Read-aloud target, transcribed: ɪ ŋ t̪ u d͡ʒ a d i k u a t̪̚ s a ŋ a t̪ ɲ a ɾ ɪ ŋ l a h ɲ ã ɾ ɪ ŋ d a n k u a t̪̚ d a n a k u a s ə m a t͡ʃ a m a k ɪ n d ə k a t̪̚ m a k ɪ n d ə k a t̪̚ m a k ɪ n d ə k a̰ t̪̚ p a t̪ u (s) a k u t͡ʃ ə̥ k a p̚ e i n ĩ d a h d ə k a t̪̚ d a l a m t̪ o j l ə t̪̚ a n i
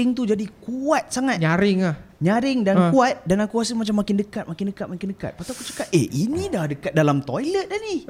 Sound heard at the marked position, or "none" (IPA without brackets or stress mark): none